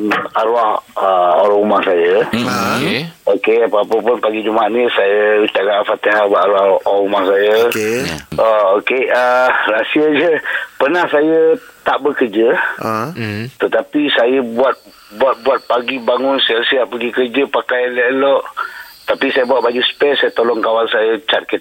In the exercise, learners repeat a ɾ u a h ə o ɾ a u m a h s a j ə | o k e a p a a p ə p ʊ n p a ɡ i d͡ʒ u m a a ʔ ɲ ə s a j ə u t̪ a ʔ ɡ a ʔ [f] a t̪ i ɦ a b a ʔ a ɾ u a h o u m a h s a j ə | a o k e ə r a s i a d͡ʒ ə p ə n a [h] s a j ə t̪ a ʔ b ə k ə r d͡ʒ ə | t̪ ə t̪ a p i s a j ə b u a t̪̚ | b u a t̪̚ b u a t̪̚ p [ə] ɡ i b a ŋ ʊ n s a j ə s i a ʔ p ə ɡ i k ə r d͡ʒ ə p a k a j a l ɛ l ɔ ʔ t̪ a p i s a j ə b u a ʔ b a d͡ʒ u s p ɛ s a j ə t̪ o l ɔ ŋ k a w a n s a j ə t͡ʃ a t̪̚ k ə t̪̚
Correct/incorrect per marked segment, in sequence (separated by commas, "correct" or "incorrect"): correct, correct, incorrect